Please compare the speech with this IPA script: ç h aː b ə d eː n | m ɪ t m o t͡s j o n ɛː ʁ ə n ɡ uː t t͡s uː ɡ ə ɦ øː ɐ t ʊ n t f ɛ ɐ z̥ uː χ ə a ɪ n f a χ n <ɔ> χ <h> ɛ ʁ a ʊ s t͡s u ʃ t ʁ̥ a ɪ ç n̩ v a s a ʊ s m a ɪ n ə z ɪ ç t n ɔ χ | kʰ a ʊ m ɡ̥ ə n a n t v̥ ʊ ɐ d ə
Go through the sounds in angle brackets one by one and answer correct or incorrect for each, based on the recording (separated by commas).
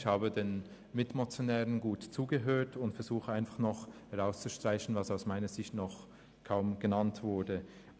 correct, correct